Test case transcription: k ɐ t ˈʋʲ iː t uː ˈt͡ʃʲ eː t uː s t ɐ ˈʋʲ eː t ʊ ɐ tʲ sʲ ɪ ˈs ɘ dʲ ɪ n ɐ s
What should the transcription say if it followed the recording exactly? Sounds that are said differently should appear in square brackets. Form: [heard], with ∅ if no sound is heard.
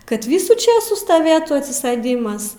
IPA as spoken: k ɐ t ˈʋʲ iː [s] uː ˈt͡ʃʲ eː [s] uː s t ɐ ˈʋʲ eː t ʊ ɐ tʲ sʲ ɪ ˈs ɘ dʲ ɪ [m] ɐ s